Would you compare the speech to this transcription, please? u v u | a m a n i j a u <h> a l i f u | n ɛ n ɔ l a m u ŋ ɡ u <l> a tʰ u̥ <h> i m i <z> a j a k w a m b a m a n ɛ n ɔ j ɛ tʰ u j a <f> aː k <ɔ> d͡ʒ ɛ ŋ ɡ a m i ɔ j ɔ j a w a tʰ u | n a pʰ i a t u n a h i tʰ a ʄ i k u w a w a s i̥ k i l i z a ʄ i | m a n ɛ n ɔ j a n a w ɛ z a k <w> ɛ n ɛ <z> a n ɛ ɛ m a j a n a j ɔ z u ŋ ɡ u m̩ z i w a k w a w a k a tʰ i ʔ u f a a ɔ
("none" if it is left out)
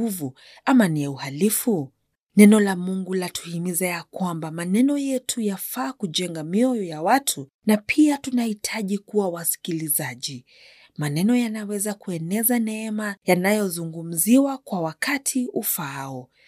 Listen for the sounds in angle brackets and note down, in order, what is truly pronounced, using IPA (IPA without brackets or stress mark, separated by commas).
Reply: h, l, h, z, f, u, u, z